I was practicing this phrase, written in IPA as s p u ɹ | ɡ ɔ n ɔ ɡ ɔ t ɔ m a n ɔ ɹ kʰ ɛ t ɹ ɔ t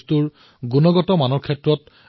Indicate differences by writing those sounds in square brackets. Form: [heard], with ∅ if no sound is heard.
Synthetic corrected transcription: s [t] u ɹ | ɡ [u] n ɔ ɡ ɔ t ɔ m a n ɔ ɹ kʰ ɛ t ɹ ɔ t